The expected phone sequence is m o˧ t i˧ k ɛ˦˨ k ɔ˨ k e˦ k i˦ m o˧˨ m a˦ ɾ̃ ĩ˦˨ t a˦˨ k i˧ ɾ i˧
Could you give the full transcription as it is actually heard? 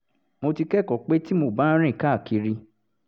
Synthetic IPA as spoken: m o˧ t i˧ k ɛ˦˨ k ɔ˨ k͡p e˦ t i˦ m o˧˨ b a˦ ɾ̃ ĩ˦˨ k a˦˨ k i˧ ɾ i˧